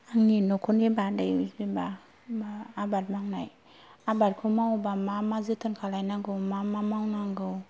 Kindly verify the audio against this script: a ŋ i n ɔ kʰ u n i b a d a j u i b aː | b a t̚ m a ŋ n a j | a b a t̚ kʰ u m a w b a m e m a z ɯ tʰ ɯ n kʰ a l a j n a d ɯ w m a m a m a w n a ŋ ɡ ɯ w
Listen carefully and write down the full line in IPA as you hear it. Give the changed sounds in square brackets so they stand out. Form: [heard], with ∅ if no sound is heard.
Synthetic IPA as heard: a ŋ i n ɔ kʰ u n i b a d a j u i b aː | b a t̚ m a ŋ n a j | a b a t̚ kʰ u m a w b a m [a] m a z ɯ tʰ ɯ n kʰ a l a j n a [ɡ] ɯ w m a m a m a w n a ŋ ɡ ɯ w